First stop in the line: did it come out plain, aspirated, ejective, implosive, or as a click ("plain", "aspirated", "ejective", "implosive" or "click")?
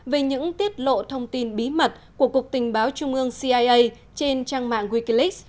plain